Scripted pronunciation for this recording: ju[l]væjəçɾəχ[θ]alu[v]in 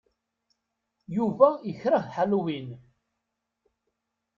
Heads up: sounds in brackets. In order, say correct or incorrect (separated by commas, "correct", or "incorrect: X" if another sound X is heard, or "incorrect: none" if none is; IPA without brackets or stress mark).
incorrect: none, incorrect: ħ, incorrect: w